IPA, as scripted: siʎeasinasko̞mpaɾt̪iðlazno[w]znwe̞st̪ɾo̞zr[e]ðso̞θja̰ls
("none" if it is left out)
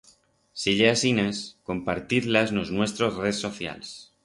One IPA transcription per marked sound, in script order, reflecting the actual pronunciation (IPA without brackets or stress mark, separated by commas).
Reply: none, e